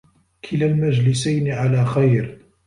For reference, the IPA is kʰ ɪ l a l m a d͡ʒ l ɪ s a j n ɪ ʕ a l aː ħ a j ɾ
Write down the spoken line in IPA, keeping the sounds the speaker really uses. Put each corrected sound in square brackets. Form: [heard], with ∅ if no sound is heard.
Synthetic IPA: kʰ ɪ l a l m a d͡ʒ l ɪ s a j n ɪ ʕ a l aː [x] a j ɾ